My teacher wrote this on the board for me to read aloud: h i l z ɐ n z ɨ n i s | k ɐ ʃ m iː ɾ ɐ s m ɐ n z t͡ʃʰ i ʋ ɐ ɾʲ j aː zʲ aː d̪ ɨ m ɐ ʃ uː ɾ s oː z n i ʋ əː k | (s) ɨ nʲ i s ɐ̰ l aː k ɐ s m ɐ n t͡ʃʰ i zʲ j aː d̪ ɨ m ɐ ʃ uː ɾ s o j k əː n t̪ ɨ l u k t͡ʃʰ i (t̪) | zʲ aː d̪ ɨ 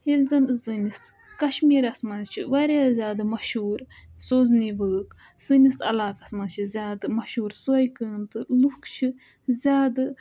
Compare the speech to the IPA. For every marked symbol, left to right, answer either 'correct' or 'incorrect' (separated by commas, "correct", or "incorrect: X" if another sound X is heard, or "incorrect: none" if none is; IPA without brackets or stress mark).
correct, incorrect: none